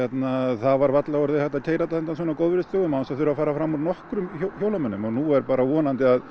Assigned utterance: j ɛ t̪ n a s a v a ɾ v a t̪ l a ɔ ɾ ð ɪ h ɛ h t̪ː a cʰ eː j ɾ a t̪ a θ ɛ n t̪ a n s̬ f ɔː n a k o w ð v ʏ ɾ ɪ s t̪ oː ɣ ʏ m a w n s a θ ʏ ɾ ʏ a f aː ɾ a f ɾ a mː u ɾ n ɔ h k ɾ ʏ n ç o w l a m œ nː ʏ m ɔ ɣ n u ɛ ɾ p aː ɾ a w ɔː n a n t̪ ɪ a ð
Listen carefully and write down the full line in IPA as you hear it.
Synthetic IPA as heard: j ɛ t̪ n a θ a v a ɾ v a t̪ l a ɔ ɾ ð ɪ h ɛ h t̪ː a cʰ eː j ɾ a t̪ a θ ɛ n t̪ a n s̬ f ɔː n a k o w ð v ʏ ɾ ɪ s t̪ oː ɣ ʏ m a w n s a θ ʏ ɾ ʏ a f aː ɾ a f ɾ a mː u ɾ n ɔ h k ɾ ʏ m ç o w l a m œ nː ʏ m ɔ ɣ n u ɛ ɾ p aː ɾ a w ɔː n a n t̪ ɪ a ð